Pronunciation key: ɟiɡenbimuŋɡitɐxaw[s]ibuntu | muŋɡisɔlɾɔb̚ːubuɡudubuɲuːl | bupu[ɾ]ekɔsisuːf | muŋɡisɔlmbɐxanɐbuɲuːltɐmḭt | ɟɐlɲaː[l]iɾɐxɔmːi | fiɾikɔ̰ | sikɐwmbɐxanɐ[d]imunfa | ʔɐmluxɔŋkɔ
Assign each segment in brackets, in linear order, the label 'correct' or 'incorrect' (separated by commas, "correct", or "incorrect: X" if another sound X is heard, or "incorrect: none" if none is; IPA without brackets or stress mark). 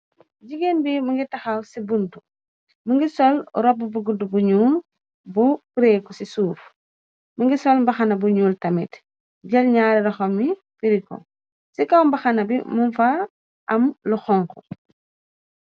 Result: correct, correct, incorrect: ɾ, incorrect: b